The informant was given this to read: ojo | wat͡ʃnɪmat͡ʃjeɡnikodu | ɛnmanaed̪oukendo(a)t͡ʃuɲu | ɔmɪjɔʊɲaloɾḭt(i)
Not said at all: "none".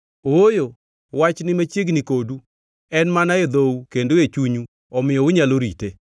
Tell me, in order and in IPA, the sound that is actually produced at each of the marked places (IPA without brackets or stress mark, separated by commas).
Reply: e, e